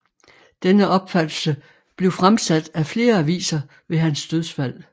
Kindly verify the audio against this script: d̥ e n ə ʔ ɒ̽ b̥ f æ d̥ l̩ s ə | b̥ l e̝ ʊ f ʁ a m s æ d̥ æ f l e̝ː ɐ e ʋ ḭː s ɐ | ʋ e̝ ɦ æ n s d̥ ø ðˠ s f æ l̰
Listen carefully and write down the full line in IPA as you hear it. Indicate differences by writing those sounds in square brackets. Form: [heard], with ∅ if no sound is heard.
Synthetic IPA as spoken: d̥ e n ə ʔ ɒ̽ b̥ f æ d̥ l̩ s ə | b̥ l e̝ ʊ f ʁ a m s æ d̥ æ f l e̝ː ɐ [æ] ʋ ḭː s ɐ | ʋ e̝ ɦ æ n s d̥ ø ðˠ s f æ l̰